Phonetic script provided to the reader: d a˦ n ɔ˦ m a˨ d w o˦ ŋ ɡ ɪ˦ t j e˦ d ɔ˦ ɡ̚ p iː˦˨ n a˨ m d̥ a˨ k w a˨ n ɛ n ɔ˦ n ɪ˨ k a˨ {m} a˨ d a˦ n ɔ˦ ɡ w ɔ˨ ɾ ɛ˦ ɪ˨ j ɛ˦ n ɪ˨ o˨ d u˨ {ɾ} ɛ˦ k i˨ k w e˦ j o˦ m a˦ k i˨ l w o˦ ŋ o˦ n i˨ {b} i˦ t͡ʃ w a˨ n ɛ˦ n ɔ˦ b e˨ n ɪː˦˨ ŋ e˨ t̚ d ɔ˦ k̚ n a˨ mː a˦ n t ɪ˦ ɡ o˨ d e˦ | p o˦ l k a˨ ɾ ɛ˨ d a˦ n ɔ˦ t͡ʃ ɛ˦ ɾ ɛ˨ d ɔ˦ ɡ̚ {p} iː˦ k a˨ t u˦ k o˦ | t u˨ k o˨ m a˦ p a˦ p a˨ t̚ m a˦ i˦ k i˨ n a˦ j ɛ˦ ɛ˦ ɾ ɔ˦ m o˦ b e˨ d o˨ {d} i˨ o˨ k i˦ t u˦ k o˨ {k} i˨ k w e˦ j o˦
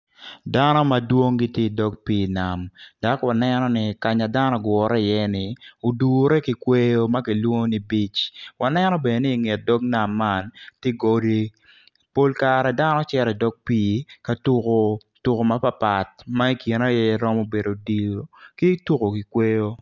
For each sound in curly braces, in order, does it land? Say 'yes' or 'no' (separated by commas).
no, yes, yes, yes, yes, yes